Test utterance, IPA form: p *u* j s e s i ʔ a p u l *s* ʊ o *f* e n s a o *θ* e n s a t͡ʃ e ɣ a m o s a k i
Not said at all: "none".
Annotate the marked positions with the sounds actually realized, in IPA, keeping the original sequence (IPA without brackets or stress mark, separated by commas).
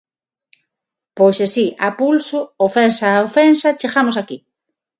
o, s, f, f